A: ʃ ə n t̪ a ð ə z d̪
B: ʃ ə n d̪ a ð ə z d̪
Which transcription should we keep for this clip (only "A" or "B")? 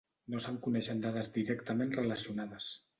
B